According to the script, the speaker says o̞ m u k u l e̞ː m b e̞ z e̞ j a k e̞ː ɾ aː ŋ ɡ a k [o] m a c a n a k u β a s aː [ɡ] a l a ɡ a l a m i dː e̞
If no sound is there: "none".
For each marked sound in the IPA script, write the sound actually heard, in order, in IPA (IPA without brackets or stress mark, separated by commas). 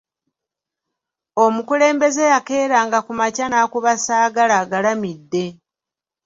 u, ɡ